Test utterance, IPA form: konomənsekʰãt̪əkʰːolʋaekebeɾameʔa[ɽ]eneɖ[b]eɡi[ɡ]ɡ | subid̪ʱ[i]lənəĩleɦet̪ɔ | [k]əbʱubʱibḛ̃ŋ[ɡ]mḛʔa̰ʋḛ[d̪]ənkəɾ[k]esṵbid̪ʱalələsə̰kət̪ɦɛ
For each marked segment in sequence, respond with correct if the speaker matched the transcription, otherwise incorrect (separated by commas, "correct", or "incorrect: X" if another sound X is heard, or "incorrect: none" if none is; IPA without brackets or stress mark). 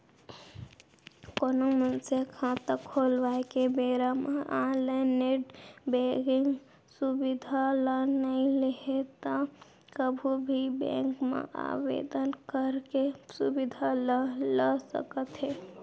incorrect: l, correct, incorrect: ŋ, incorrect: a, correct, incorrect: k, correct, correct